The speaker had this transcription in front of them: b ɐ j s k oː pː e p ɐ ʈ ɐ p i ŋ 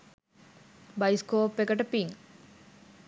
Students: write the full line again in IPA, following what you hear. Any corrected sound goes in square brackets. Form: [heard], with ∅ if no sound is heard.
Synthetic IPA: b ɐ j s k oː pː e [k] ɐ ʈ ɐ p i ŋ